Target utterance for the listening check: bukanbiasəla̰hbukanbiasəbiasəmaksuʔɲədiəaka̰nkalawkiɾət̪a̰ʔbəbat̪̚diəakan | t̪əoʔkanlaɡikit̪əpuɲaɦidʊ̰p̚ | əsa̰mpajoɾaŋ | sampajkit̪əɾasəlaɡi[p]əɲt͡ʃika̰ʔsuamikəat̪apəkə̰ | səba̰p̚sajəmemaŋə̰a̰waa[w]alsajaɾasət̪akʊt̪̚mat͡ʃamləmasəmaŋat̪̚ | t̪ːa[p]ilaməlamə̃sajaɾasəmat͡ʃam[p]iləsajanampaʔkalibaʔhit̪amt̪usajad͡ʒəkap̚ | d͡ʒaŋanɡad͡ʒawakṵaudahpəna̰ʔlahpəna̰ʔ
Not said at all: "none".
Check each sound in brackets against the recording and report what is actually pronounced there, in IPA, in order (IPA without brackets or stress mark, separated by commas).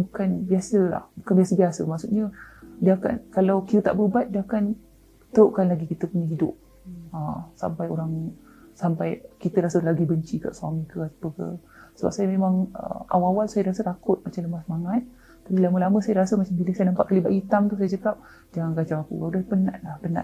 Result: b, w, p, b